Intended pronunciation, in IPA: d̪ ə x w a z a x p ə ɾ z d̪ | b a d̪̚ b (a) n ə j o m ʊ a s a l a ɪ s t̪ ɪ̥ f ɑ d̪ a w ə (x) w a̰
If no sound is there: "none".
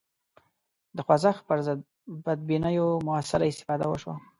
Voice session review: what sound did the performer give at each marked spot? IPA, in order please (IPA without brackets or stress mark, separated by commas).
i, ʃ